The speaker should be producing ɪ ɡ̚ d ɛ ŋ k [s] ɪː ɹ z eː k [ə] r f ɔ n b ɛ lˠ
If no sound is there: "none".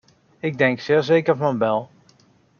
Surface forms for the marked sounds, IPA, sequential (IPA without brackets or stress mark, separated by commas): s, ə